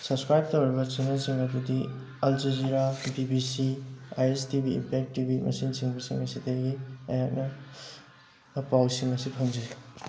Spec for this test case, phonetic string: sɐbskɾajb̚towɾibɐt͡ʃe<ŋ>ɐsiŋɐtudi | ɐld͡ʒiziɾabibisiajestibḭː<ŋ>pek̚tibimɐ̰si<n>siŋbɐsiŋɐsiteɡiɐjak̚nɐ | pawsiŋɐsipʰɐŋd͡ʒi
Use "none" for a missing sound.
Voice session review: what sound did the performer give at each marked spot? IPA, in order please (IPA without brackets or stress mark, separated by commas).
n, m, n